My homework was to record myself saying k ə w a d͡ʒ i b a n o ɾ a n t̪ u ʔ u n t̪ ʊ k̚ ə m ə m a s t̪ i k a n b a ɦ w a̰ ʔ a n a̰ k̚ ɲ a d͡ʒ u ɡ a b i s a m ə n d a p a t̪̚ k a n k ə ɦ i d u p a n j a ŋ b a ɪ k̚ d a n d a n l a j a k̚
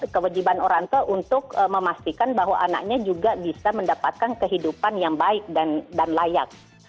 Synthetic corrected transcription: k ə w a d͡ʒ i b a n o ɾ a ŋ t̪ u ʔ u n t̪ ʊ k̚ ə m ə m a s t̪ i k a n b a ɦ w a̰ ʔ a n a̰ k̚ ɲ a d͡ʒ u ɡ a b i s a m ə n d a p a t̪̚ k a n k ə ɦ i d u p a n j a ŋ b a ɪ k̚ d a n d a n l a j a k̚